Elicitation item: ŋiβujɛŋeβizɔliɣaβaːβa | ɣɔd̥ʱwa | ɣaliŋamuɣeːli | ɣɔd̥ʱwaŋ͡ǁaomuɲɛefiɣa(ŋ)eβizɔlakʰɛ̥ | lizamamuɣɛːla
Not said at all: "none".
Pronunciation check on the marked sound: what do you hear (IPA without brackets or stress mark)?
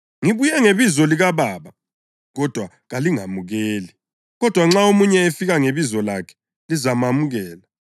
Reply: ŋ